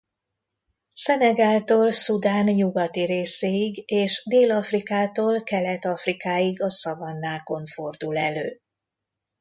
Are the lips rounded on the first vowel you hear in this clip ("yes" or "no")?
no